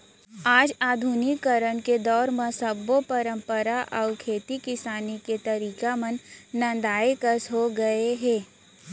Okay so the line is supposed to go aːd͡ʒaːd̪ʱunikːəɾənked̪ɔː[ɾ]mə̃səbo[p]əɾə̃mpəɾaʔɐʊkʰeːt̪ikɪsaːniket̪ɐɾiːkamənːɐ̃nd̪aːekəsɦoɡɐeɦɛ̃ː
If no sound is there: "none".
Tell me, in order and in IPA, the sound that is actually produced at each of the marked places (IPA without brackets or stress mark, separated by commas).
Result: ɾ, p